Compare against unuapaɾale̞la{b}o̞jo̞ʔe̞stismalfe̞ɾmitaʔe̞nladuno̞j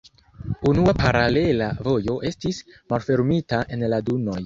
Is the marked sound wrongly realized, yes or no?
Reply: yes